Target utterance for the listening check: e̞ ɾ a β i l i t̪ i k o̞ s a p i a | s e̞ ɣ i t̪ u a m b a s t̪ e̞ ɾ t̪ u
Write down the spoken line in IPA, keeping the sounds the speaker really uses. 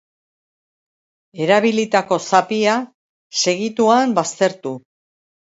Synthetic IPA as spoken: e̞ ɾ a β i l i t̪ a k o̞ s a p i a | s e̞ ɣ i t̪ u a m b a s t̪ e̞ ɾ t̪ u